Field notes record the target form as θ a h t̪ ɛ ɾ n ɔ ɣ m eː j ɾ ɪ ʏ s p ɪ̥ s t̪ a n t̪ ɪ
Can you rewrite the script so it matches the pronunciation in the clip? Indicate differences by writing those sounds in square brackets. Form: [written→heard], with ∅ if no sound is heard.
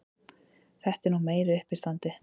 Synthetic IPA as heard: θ [a→ɛ] h t̪ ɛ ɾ n [ɔ→u] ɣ m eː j ɾ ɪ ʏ [s→h] p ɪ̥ s t̪ a n t̪ ɪ